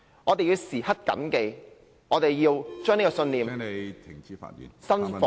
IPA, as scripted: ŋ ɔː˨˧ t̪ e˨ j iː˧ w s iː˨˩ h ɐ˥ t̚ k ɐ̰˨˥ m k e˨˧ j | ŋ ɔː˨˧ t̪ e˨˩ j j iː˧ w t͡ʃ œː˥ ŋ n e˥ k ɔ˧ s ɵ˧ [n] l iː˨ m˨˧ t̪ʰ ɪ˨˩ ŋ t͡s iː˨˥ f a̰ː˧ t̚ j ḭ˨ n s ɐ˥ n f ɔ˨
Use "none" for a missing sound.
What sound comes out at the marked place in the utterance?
n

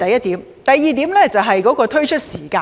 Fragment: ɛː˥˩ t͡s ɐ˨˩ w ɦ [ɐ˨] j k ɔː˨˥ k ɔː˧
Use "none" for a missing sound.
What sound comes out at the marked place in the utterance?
ɐ˨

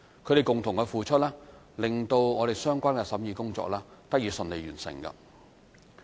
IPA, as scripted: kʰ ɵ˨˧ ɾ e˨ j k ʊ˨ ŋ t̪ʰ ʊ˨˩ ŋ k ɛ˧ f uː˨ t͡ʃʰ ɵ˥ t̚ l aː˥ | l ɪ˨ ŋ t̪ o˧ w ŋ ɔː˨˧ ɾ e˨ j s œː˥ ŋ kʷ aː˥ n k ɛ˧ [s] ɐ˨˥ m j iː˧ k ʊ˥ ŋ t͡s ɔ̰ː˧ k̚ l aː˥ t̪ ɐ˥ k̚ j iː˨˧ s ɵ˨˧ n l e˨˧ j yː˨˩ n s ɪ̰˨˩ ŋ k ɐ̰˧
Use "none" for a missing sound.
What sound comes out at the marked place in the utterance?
s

